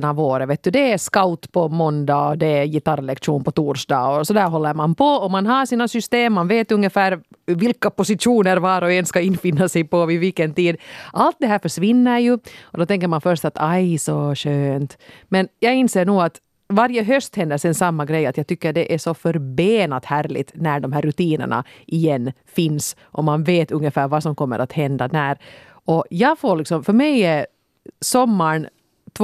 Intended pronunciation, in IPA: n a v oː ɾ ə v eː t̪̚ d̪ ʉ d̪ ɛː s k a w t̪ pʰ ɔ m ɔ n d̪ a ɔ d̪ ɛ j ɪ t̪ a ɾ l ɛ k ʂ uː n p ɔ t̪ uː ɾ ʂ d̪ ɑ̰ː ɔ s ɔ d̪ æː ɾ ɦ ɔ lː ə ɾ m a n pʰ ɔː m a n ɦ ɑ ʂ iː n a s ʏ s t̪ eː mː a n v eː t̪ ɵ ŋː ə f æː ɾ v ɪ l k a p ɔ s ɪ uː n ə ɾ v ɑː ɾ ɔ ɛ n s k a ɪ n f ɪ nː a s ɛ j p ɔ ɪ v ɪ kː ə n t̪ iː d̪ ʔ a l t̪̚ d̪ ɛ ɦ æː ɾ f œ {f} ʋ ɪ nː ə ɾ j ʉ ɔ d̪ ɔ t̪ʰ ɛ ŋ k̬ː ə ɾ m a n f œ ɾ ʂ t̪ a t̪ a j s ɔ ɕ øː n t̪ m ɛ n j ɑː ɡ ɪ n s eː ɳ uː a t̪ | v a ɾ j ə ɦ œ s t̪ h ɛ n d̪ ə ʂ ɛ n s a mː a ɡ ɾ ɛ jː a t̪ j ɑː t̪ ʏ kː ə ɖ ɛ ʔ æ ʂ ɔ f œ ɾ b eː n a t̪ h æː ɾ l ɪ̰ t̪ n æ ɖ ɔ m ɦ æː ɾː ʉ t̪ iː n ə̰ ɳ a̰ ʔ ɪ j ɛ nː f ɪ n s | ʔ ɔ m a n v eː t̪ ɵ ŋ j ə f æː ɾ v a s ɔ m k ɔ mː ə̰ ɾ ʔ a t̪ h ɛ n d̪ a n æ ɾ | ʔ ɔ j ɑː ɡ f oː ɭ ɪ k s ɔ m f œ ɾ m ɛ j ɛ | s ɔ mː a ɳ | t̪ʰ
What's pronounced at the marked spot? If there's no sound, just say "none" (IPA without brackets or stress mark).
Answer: ʂ